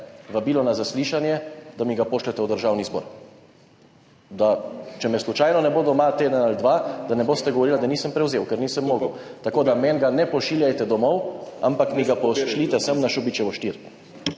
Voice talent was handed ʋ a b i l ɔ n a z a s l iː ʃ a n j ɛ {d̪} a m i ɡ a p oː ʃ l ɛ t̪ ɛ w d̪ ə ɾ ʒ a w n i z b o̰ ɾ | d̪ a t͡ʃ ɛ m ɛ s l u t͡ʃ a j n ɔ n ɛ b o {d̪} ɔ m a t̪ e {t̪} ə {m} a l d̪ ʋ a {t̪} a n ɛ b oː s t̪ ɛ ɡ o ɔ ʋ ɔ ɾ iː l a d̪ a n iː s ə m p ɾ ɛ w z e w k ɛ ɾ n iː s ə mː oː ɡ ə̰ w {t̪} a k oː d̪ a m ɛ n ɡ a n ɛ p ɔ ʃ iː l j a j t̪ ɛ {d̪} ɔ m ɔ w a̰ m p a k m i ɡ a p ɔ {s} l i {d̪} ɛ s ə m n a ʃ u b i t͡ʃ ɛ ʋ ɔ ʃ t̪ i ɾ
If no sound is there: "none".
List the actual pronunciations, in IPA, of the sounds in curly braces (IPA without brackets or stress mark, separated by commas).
d̪, d̪, d̪, n, d̪, t̪, d̪, ʃ, t̪